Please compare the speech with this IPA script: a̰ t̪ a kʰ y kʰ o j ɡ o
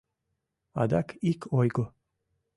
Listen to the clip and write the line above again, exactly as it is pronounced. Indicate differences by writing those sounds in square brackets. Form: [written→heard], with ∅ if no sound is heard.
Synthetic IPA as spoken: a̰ [t̪→d̪] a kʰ [y→i] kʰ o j ɡ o